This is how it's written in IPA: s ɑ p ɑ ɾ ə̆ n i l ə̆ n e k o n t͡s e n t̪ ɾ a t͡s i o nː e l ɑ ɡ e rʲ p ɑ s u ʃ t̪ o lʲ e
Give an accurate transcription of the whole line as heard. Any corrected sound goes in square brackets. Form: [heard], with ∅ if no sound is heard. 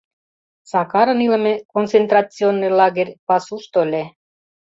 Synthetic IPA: s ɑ [k] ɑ ɾ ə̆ n i l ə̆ [m] e k o n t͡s e n t̪ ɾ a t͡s i o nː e l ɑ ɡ e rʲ p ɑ s u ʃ t̪ o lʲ e